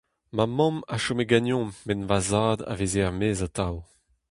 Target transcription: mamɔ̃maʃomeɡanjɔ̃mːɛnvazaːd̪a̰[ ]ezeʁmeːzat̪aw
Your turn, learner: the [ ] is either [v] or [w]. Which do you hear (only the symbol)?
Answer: v